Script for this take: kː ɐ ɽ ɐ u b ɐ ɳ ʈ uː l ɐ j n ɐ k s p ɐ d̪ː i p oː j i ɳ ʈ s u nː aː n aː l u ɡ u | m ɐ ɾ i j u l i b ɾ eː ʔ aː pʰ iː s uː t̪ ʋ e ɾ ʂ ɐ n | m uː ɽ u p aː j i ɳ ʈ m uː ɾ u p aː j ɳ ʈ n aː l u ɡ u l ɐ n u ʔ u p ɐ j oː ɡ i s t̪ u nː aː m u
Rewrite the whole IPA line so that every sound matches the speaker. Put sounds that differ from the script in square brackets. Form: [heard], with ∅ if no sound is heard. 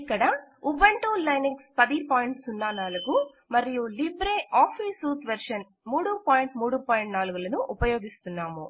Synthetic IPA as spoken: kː ɐ ɽ ɐ u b ɐ ɳ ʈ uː l ɐ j n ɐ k s p ɐ [d̪] i p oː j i ɳ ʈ s u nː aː n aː l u ɡ u | m ɐ ɾ i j u l i b ɾ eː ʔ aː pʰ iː s uː t̪ ʋ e ɾ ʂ ɐ n | m uː ɽ u p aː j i ɳ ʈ m uː [ɽ] u p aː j ɳ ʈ n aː l u ɡ u l ɐ n u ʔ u p ɐ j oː ɡ i s t̪ u nː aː m u

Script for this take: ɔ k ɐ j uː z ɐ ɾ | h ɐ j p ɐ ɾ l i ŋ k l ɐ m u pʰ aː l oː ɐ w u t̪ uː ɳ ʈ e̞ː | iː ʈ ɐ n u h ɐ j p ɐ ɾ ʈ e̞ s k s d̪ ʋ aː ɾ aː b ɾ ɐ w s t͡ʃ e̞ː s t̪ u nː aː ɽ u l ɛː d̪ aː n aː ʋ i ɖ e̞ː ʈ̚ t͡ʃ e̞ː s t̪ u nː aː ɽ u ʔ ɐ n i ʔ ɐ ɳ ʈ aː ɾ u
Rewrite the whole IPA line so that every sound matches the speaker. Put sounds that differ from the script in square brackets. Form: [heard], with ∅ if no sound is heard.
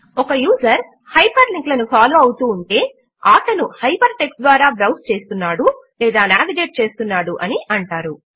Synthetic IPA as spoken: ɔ k ɐ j uː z ɐ ɾ | h ɐ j p ɐ ɾ l i ŋ k l ɐ [n] u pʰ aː l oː ɐ w u t̪ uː ɳ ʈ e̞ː | [aː] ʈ ɐ n u h ɐ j p ɐ ɾ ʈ e̞ [∅] k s d̪ ʋ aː ɾ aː b ɾ ɐ w s t͡ʃ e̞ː s t̪ u nː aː ɽ u l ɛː d̪ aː n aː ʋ i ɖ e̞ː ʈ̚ t͡ʃ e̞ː s t̪ u nː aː ɽ u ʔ ɐ n i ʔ ɐ ɳ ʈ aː ɾ u

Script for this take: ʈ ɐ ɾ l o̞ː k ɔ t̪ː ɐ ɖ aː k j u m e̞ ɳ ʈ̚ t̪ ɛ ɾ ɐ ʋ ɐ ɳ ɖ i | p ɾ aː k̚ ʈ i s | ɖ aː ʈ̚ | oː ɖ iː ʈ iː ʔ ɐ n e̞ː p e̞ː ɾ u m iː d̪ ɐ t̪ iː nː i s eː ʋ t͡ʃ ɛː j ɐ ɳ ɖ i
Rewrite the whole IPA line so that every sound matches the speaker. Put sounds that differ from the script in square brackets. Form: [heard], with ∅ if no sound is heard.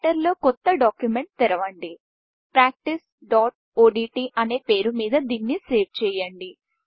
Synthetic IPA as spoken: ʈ ɐ ɾ l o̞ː k ɔ t̪ː ɐ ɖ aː k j u m e̞ ɳ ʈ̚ t̪ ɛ ɾ ɐ ʋ ɐ ɳ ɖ i | p ɾ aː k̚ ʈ i s | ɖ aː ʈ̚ | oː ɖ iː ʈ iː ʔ ɐ n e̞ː p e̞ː ɾ u m iː d̪ ɐ [d̪] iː nː i s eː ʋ t͡ʃ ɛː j ɐ ɳ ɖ i

